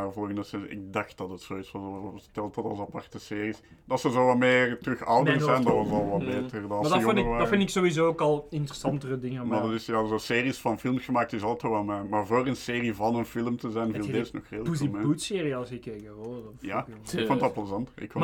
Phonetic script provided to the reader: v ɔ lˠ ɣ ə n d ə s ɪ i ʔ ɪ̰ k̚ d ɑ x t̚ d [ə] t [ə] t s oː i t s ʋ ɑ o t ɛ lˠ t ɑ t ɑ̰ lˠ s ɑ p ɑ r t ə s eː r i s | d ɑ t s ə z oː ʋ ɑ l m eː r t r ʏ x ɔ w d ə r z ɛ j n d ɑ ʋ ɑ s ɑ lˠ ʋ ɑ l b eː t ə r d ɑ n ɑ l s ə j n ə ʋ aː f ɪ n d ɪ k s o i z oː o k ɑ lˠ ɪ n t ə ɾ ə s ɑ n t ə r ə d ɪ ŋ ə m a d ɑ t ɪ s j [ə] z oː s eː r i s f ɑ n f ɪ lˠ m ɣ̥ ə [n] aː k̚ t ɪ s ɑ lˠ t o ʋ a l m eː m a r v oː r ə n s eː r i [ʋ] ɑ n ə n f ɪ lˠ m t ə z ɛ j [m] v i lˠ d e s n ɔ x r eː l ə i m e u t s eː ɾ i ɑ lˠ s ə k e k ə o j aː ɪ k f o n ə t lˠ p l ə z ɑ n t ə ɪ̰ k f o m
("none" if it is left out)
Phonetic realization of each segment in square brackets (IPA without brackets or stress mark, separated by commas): ɑ, ə, a, m, v, n